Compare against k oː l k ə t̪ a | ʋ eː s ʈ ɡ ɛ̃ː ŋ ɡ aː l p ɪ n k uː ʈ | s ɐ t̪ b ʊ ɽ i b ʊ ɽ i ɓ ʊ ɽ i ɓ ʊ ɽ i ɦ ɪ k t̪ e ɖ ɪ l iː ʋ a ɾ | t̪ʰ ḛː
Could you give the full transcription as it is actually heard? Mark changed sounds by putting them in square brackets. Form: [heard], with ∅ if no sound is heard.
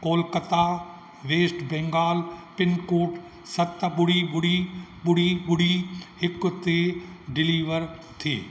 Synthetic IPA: k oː l k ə t̪ a | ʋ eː s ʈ [b] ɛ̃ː ŋ ɡ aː l p ɪ n k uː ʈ | s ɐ t̪ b ʊ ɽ i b ʊ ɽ i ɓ ʊ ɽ i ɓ ʊ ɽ i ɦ ɪ k t̪ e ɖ ɪ l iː ʋ [ə] ɾ | t̪ʰ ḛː

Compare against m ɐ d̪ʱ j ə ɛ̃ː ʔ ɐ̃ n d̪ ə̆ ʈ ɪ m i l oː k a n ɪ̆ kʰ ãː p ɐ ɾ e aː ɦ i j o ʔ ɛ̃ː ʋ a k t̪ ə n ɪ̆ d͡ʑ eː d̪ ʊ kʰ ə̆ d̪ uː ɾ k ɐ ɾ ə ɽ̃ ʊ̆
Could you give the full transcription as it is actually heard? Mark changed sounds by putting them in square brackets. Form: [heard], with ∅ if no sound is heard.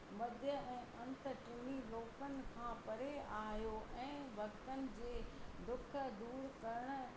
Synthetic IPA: m ɐ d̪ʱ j ə ɛ̃ː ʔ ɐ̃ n [t̪] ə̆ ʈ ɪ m i l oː k [ə] n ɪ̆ kʰ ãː p ɐ ɾ e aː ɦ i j o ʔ ɛ̃ː ʋ [ɐ] k t̪ ə n ɪ̆ d͡ʑ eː d̪ ʊ kʰ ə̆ d̪ uː ɾ k ɐ ɾ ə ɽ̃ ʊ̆

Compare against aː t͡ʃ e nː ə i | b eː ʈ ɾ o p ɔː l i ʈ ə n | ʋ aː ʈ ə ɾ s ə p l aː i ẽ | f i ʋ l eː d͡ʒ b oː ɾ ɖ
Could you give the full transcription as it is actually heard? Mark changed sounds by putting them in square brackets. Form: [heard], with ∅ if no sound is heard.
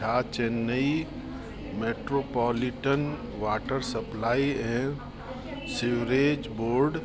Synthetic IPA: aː t͡ʃ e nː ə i | [m] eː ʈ ɾ o p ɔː l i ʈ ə n | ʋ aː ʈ ə ɾ s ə p l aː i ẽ | [s] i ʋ [ɾ] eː d͡ʒ b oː ɾ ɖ

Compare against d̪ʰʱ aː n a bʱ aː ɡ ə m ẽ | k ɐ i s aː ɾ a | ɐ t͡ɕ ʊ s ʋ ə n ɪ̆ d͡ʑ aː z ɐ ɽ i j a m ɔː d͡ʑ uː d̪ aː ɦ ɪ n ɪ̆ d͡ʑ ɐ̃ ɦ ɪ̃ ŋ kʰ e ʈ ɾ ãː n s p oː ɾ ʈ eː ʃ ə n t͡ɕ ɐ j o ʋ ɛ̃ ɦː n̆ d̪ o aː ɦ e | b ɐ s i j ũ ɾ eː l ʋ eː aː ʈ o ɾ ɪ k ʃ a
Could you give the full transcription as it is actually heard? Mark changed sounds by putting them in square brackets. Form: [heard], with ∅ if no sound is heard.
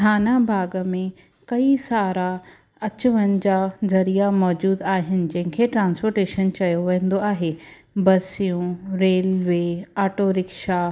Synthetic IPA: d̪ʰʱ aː n a bʱ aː ɡ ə m ẽ | k ɐ i s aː ɾ a | ɐ t͡ɕ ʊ [∅] ʋ ə n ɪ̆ d͡ʑ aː z ɐ [ɾ] i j a m ɔː d͡ʑ uː d̪ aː ɦ ɪ n ɪ̆ d͡ʑ ɐ̃ ɦ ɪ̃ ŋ kʰ e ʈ ɾ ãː n s p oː ɾ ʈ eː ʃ ə n t͡ɕ ɐ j o ʋ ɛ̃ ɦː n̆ d̪ o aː ɦ e | b ɐ s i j ũ ɾ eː l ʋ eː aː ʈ o ɾ ɪ k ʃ a

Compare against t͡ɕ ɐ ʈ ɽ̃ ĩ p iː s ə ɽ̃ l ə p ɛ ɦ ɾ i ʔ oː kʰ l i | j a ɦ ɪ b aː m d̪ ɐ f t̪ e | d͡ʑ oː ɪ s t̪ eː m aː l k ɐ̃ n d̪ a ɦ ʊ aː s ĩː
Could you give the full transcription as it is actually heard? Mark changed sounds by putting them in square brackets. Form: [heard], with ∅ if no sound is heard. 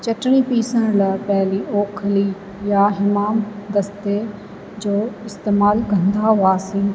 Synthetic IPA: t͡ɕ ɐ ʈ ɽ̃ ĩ p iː s ə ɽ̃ l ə p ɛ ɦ [l] i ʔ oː kʰ l i | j a ɦ ɪ [m] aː m d̪ ɐ [s] t̪ e | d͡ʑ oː ɪ s t̪ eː m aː l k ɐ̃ n d̪ a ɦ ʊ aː s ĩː

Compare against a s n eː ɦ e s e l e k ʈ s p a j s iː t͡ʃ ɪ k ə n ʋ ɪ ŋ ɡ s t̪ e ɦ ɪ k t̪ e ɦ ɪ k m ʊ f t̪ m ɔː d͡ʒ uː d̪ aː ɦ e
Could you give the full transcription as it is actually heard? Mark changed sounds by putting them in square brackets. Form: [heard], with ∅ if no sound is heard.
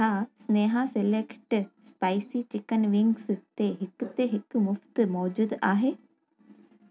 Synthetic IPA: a s n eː ɦ [a] s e l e k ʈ s p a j s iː t͡ʃ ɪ k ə n ʋ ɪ ŋ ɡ s t̪ e ɦ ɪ k t̪ e ɦ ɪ k m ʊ f t̪ m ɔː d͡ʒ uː d̪ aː ɦ e

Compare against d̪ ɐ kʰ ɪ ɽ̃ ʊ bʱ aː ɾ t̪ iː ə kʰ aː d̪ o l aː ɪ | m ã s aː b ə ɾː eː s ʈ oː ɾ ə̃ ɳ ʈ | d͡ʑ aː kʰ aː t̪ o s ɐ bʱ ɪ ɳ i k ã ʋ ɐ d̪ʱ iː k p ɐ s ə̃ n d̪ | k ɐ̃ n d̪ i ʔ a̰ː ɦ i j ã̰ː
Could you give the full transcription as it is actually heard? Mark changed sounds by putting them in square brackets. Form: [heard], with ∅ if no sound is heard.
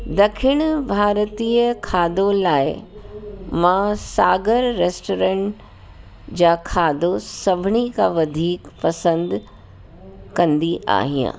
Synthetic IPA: d̪ ɐ kʰ ɪ ɽ̃ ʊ bʱ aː ɾ t̪ iː ə kʰ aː d̪ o l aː ɪ | m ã s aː [ɡ] ə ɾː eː s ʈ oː ɾ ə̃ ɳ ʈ | d͡ʑ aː kʰ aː [d̪] o s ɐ bʱ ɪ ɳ i k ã ʋ ɐ d̪ʱ iː k p ɐ s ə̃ n d̪ | k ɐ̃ n d̪ i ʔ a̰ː ɦ i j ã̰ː

